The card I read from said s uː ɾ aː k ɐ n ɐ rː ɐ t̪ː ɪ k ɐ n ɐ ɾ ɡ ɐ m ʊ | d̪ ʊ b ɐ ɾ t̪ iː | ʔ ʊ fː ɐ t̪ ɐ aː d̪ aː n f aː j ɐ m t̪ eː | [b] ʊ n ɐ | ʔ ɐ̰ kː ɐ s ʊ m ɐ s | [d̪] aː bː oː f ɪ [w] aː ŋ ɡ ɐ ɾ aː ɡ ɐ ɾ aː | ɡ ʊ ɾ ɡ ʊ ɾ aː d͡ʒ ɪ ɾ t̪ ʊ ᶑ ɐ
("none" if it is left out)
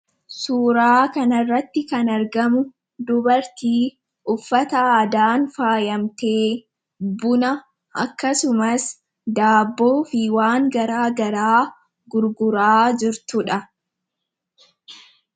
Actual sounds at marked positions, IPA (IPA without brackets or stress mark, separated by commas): b, d̪, w